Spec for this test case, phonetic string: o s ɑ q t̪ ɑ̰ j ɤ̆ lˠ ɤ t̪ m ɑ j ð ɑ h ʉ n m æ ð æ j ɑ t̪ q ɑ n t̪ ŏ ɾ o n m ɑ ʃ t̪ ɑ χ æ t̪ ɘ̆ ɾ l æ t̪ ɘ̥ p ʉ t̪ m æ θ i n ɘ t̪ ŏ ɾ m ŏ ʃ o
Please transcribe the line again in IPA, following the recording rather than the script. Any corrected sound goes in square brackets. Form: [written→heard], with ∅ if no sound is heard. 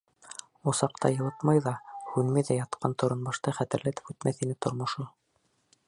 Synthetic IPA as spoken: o s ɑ q t̪ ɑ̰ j ɤ̆ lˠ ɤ t̪ m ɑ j ð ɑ h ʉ n m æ ð æ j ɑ t̪ q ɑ n t̪ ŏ ɾ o n [m→b] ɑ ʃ t̪ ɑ χ æ t̪ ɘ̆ ɾ l æ t̪ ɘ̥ p ʉ t̪ m æ θ i n ɘ t̪ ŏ ɾ m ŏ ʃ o